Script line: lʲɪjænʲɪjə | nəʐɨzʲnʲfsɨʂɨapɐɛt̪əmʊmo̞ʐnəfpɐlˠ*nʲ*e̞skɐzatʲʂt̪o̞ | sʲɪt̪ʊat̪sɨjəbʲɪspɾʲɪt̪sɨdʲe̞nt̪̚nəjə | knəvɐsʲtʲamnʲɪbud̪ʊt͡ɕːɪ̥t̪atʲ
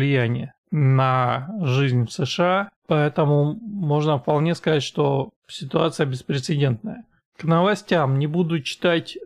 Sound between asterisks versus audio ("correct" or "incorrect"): correct